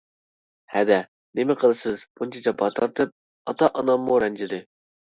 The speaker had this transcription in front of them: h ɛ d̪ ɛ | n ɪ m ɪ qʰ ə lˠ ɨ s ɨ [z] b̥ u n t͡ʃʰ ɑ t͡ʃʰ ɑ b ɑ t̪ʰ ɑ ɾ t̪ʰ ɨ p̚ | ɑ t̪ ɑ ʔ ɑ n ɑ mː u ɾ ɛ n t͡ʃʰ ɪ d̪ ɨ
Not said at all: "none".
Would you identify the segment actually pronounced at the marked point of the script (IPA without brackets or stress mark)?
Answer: z